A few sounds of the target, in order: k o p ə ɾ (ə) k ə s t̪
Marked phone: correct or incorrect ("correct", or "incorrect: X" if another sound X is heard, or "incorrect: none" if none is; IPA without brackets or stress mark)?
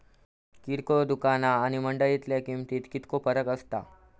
correct